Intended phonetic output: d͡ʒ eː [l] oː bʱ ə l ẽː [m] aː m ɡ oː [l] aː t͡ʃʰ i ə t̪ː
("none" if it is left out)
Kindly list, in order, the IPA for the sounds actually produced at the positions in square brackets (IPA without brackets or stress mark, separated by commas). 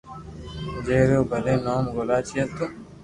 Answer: ɾ, n, l